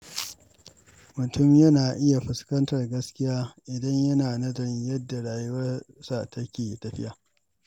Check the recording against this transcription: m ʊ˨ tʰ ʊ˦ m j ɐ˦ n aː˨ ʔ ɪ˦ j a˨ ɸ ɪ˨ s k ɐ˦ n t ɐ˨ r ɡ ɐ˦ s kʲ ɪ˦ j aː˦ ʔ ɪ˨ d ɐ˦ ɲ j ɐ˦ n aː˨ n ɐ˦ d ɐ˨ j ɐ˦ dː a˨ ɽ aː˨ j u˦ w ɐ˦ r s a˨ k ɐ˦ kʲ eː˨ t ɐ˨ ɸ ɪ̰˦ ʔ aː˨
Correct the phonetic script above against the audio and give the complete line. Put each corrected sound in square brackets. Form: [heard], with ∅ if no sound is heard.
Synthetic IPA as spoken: m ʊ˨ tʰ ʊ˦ m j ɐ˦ n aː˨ ʔ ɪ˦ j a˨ ɸ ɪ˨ s k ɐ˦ n t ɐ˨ r ɡ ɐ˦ s kʲ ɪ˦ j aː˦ ʔ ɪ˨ d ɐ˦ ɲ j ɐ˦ n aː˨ n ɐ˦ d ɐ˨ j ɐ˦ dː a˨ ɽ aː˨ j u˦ w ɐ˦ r s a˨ [t] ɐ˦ kʲ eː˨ t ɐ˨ ɸ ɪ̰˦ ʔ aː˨